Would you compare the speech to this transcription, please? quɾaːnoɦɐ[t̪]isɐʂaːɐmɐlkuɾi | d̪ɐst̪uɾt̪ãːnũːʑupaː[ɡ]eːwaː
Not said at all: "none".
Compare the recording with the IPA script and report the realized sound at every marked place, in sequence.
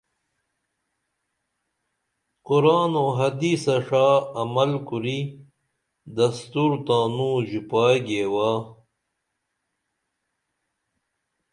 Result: d̪, ɡ

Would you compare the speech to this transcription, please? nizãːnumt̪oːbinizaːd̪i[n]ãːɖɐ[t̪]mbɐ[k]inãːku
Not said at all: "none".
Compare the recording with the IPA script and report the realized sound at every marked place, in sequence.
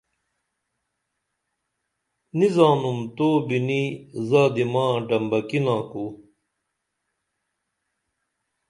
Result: m, none, k

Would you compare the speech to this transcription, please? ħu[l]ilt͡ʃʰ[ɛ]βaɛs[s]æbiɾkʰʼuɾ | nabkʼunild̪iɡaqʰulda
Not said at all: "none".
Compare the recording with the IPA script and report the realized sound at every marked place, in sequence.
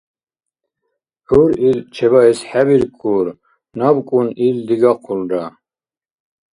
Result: ɾ, ɛ, ħ

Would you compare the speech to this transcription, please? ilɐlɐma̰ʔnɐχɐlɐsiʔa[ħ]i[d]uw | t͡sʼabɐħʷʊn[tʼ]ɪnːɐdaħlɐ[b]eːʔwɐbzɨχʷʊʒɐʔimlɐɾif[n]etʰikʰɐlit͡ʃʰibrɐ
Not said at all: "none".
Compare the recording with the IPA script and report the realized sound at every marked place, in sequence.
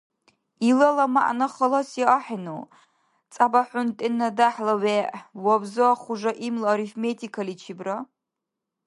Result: ħ, n, tʼ, w, m

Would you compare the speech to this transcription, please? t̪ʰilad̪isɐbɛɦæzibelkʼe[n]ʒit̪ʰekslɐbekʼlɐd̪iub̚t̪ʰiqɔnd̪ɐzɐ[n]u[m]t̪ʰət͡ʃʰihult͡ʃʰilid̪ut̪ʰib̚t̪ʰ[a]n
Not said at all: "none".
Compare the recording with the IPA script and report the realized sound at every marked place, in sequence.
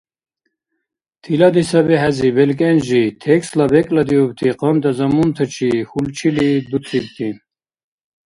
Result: n, m, n, i

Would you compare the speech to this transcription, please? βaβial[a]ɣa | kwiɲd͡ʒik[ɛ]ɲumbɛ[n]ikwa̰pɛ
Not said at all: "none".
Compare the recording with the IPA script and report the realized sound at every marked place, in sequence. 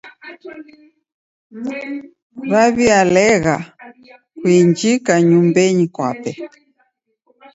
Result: ɛ, a, ɲ

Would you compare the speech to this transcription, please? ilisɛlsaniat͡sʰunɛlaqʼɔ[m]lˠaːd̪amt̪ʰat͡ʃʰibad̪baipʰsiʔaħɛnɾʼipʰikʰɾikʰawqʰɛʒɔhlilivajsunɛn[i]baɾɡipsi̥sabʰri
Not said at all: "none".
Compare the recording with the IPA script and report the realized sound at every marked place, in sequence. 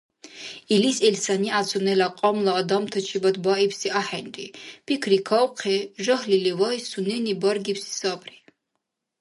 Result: m, i

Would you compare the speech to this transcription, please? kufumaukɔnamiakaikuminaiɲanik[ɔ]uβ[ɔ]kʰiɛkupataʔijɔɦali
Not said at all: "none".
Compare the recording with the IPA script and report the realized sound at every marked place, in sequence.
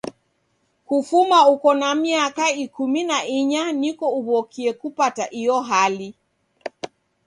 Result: ɔ, ɔ

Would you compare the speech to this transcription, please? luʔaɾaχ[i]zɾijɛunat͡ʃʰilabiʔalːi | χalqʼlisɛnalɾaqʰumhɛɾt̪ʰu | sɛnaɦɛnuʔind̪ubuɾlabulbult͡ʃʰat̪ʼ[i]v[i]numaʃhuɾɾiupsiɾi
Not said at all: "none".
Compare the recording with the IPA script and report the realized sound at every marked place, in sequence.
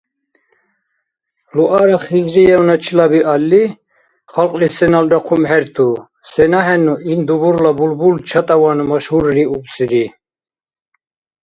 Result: i, a, a

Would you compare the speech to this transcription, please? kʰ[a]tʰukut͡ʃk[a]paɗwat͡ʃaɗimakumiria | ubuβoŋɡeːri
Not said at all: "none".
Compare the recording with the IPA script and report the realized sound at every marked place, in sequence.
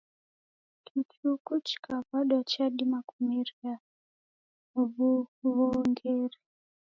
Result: i, a

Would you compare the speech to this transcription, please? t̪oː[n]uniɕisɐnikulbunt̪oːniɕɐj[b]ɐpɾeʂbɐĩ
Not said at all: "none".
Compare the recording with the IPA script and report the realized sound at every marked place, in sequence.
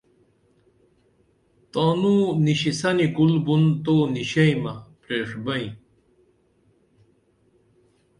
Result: n, m

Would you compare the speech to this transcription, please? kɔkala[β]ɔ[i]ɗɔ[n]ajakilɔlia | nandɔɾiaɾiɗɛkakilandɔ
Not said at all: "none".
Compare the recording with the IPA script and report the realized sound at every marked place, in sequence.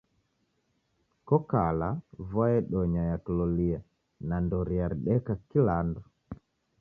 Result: v, ɛ, ɲ

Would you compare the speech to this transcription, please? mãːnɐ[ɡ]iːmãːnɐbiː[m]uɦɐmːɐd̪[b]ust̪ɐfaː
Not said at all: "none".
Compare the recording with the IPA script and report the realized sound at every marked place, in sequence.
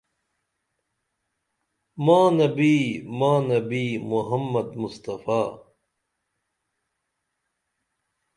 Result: b, m, m

